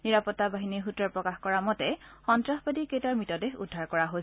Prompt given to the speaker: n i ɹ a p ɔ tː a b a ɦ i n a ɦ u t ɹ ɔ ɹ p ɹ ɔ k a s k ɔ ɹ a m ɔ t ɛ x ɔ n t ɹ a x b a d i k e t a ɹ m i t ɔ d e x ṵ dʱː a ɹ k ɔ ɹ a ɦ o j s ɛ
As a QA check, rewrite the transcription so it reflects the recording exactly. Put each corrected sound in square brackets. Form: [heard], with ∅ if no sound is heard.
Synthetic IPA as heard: n i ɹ a p ɔ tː a b a ɦ i n [i] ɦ u t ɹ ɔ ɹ p ɹ ɔ k a [x] k ɔ ɹ a m ɔ t ɛ x ɔ n t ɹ a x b a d i k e t a ɹ m i t ɔ d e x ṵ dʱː a ɹ k ɔ ɹ a ɦ o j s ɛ